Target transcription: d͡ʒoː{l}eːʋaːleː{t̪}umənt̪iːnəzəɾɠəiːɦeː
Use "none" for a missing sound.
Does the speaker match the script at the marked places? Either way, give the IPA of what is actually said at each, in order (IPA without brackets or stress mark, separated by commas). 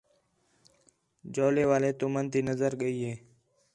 l, t̪